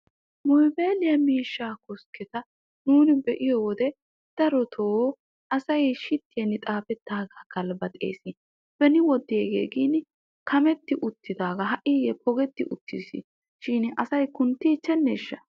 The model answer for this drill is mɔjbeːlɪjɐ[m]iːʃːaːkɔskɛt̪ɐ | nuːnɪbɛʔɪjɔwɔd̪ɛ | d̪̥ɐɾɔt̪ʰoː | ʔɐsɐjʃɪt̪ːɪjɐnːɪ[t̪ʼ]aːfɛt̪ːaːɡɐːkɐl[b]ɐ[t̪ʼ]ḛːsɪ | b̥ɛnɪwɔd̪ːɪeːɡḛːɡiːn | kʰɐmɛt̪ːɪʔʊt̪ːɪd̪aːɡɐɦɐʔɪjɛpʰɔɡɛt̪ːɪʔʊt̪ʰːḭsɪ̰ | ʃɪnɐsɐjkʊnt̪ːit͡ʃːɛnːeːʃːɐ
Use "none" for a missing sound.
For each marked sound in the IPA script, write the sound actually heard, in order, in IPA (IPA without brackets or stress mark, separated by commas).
m, t̪ʼ, b, t̪ʼ